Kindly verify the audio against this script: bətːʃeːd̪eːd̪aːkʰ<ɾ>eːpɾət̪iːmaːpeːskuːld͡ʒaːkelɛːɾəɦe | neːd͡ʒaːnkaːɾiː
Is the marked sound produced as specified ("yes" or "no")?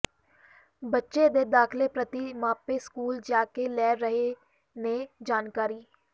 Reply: no